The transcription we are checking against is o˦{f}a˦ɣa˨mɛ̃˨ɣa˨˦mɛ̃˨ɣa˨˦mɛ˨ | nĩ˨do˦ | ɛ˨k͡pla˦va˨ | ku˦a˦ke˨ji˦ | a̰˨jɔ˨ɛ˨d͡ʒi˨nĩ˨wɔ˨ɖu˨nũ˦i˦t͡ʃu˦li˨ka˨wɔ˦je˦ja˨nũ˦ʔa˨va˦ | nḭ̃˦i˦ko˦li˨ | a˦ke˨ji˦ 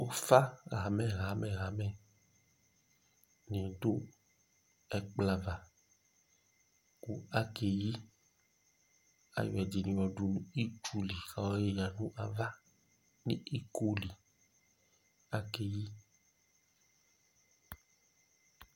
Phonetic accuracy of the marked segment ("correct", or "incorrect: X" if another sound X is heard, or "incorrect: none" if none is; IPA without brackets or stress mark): correct